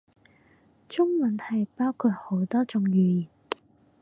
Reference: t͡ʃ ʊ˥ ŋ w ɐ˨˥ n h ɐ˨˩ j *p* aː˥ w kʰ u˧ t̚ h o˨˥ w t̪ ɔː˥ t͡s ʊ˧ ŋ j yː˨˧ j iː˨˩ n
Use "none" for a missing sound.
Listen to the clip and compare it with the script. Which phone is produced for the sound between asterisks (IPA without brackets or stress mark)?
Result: p